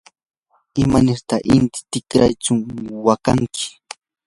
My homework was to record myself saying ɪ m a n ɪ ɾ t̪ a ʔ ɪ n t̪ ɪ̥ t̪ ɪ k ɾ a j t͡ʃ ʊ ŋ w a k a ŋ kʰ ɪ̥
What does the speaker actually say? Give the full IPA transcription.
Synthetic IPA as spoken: ɪ m a n ɪ ɾ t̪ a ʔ ɪ n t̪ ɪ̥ t̪ ɪ k ɾ a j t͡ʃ ʊ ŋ w a k a ŋ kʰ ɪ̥